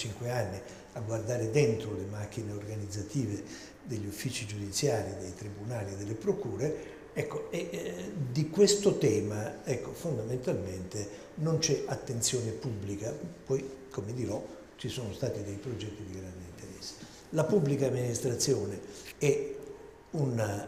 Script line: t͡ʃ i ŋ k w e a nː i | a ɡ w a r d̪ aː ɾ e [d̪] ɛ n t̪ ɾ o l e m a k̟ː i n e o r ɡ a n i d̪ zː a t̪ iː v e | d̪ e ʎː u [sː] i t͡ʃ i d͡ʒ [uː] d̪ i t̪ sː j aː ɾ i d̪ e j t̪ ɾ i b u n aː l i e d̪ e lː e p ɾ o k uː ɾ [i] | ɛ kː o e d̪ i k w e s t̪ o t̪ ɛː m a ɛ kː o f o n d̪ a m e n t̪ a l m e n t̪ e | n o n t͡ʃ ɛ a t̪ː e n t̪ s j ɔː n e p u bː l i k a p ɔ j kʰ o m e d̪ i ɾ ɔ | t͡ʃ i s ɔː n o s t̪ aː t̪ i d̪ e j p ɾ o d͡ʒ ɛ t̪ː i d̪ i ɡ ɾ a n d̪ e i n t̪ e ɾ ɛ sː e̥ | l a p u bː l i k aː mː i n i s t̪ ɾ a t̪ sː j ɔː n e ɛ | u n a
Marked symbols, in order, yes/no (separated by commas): yes, no, no, no